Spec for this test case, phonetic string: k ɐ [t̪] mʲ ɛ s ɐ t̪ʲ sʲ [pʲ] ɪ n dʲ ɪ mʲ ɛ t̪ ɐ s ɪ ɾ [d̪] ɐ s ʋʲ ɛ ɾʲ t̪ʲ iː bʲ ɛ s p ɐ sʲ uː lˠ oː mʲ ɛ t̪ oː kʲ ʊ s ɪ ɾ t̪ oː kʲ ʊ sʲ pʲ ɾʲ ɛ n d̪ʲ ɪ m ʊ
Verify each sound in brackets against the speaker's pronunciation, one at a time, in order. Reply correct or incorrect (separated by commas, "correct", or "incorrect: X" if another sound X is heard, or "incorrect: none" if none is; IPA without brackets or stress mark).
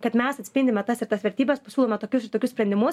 correct, correct, incorrect: t̪